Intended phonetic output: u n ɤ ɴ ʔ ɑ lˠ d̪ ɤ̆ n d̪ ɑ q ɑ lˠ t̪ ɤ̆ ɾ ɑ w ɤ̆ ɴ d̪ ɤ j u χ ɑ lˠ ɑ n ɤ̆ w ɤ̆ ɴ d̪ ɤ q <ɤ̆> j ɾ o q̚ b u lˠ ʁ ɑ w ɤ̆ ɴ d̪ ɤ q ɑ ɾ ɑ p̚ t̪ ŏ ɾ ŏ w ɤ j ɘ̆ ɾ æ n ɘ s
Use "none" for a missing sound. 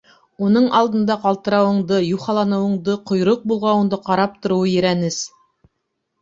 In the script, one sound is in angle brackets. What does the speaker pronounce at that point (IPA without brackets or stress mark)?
ŏ